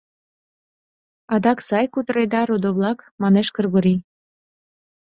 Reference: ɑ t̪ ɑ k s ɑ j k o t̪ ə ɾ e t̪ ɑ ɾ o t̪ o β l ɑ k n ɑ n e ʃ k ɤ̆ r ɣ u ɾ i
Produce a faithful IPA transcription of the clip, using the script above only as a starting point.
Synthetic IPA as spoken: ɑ d̪ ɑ k s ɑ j k u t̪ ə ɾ e d̪ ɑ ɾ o d̪ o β l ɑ k m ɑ n e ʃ k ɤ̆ r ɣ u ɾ i

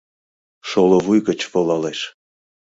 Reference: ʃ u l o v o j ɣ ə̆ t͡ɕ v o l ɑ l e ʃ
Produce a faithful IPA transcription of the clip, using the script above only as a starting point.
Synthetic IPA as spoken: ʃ o l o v u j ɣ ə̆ t͡ɕ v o l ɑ l e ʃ

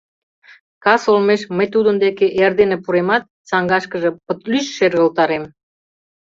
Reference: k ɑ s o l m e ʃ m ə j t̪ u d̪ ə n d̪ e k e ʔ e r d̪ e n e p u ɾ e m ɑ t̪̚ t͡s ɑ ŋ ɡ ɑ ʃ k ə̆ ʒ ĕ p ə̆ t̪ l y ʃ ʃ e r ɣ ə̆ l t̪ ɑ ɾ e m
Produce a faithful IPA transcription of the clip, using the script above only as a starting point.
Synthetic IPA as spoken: k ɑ s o l m e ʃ m ə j t̪ u d̪ ə n d̪ e k e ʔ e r d̪ e n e p u ɾ e m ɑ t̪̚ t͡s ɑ ŋ ɡ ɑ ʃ k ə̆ ʒ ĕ p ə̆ t̪ l y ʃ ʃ e r ɣ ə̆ l t̪ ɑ ɾ e m

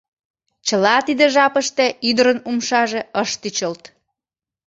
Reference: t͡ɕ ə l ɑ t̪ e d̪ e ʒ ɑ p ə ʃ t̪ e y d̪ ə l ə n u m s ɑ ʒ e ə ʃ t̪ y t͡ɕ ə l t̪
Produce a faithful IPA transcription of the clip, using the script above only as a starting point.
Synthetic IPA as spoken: t͡ɕ ə l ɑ t̪ i d̪ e ʒ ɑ p ə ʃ t̪ e y d̪ ə ɾ ə n u m ʃ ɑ ʒ e ə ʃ t̪ y t͡ɕ ə l t̪

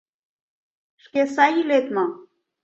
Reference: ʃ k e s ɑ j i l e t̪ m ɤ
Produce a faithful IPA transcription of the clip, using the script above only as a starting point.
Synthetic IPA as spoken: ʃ k e s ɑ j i l e t̪ m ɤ

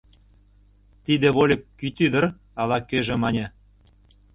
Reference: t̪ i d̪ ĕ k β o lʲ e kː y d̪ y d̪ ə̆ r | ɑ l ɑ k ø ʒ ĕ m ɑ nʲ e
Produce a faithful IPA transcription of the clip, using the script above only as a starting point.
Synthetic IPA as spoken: t̪ i d̪ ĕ β o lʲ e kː y t̪ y d̪ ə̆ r | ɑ l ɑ k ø ʒ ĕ m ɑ nʲ e

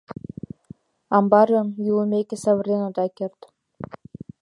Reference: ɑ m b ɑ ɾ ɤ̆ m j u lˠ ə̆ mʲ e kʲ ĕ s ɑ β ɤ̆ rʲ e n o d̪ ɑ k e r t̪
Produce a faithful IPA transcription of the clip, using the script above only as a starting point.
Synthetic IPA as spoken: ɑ m b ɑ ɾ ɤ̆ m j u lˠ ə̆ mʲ e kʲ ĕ s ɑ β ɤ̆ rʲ e n o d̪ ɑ k e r t̪

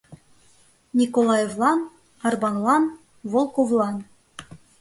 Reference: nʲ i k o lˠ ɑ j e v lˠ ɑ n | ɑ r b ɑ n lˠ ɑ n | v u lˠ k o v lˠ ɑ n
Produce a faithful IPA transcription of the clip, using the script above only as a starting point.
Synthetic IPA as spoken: nʲ i k o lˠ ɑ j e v lˠ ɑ n | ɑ r b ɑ n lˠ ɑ n | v o lˠ k o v lˠ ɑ n

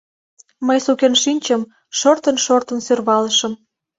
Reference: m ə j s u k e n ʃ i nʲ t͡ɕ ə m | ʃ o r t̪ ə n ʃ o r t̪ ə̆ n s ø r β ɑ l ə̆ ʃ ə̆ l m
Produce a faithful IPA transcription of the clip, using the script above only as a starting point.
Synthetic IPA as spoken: m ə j s u k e n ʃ i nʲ t͡ɕ ə m | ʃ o r t̪ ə n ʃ o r t̪ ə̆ n s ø r β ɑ l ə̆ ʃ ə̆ m

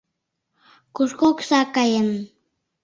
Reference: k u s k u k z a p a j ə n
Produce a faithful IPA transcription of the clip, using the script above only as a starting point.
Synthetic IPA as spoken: k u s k o k s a k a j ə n

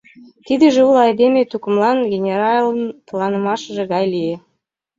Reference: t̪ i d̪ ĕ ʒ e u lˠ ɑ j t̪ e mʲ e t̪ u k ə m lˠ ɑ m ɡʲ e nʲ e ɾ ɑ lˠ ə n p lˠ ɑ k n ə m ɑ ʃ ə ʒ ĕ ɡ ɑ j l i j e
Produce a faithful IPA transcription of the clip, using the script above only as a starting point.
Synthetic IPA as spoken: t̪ i d̪ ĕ ʒ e u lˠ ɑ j d̪ e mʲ e t̪ u k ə m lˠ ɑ n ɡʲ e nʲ e ɾ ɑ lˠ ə n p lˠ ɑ n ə m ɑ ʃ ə ʒ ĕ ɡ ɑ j l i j e

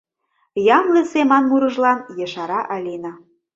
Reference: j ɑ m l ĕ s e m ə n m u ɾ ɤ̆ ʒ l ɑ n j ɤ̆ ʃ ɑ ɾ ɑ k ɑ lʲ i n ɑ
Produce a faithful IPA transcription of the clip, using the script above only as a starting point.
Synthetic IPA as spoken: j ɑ m l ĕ s e m ɑ n m u ɾ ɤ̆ ʒ l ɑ n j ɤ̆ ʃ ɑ ɾ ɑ ʔ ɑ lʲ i n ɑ

